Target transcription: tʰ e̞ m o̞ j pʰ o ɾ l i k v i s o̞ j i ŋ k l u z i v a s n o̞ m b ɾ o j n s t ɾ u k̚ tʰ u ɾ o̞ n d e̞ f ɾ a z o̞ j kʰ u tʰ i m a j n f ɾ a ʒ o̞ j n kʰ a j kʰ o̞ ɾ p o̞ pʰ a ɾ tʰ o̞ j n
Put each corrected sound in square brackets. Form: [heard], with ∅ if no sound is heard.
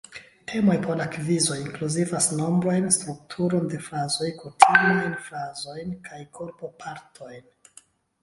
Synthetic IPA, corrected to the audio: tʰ e̞ m o̞ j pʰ o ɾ l [a] k v i [z] o̞ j i ŋ k l u z i v a s n o̞ m b ɾ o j n s t ɾ u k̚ tʰ u ɾ o̞ n d e̞ f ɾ a z o̞ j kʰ u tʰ i m a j n f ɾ a [z] o̞ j n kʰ a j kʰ o̞ ɾ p o̞ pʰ a ɾ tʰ o̞ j n

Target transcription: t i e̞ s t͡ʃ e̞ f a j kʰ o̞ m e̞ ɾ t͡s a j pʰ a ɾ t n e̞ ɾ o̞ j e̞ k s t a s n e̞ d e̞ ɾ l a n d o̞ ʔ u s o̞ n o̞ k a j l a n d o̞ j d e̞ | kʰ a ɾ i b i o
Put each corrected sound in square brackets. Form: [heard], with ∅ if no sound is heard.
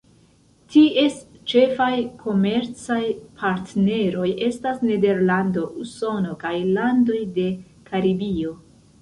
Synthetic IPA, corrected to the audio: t i e̞ s t͡ʃ e̞ f a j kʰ o̞ m e̞ ɾ t͡s a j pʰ a ɾ t n e̞ ɾ o̞ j e̞ [∅] s t a s n e̞ d e̞ ɾ l a n d o̞ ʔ u s o̞ n o̞ k a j l a n d o̞ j d e̞ | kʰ a ɾ i b i o

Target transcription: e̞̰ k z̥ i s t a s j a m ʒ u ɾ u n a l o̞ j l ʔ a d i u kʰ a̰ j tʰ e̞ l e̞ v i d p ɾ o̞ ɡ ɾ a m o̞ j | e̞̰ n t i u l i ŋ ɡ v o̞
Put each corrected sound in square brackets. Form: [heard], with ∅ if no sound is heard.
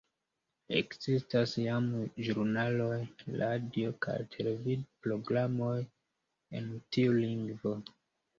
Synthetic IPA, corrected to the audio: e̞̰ k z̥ i s t a s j a m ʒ u ɾ u n a l o̞ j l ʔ a d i [o] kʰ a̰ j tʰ e̞ l e̞ v i d p ɾ o̞ ɡ ɾ a m o̞ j | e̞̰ n t i u l i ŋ ɡ v o̞

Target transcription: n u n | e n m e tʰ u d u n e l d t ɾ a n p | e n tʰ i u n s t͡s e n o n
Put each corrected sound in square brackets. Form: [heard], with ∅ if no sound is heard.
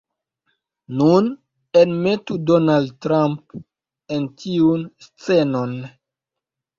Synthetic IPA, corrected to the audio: n u n | e n m e [t] u d [o] n [a] l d t ɾ a [m] p | e n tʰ i u n s t͡s e n o n

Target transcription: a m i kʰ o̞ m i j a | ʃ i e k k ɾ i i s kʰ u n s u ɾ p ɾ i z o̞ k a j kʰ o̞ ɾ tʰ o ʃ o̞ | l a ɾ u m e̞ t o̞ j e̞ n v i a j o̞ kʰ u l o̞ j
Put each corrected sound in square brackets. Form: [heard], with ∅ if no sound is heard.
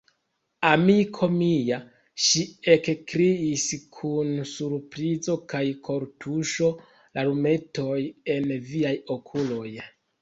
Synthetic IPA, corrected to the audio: a m i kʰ o̞ m i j a | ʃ i e k k ɾ i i s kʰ u n s u ɾ p ɾ i z o̞ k a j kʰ o̞ ɾ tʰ [u] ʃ o̞ | l a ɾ u m e̞ t o̞ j e̞ n v i a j o̞ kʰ u l o̞ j

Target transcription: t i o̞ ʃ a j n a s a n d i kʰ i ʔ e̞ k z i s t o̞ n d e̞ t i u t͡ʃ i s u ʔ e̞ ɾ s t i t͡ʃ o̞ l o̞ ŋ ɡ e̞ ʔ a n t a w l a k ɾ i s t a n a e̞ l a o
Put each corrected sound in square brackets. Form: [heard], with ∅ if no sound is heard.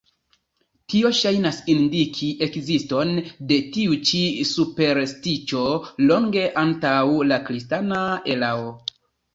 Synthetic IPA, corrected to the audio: t i o̞ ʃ a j n a s [i] n d i kʰ i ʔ e̞ k z i s t o̞ n d e̞ t i u t͡ʃ i s u [p] e̞ ɾ s t i t͡ʃ o̞ l o̞ ŋ ɡ e̞ ʔ a n t a w l a k ɾ i s t a n a e̞ l a o

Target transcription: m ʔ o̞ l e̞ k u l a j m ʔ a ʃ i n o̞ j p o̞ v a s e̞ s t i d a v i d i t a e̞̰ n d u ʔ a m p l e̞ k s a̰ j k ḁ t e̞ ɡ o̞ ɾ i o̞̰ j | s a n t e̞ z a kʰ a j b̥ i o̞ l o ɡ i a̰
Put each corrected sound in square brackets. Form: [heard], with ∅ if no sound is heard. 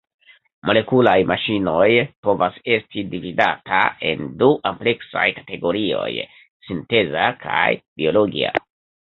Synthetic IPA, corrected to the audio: m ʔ o̞ l e̞ k u l a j m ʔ a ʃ i n o̞ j p o̞ v a s e̞ s t i d [i] v i d [a] t a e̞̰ n d u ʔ a m p l e̞ k s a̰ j k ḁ t e̞ ɡ o̞ ɾ i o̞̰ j | s [i] n t e̞ z a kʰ a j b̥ i o̞ l o ɡ i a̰

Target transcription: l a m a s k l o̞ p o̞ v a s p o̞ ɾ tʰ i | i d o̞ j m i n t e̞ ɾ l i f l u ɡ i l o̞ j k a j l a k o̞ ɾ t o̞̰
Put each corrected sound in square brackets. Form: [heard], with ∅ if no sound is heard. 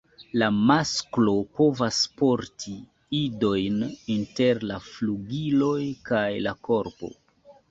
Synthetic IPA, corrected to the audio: l a m a s k l o̞ p o̞ v a s p o̞ ɾ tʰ i | i d o̞ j [n] i n t e̞ ɾ l [a] f l u ɡ i l o̞ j k a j l a k o̞ ɾ [p] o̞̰

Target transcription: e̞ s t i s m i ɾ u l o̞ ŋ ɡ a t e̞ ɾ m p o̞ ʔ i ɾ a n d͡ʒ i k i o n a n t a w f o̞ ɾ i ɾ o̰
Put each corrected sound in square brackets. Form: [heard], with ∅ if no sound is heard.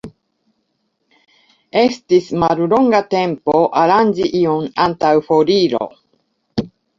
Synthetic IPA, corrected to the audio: e̞ s t i s m [a] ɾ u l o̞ ŋ ɡ a t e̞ [∅] m p o̞ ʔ [a] ɾ a n d͡ʒ i [ʔ] i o n a n t a w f o̞ ɾ i ɾ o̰

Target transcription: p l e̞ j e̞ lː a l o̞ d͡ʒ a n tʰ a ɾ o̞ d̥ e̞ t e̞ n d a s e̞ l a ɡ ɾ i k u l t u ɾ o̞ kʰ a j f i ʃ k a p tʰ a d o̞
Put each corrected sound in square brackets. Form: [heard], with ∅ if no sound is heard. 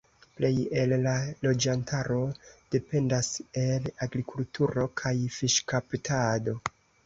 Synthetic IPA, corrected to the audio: p l e̞ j e̞ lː a l o̞ d͡ʒ a n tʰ a ɾ o̞ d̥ e̞ [p] e̞ n d a s e̞ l a ɡ ɾ i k u l t u ɾ o̞ kʰ a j f i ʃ k a p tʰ a d o̞

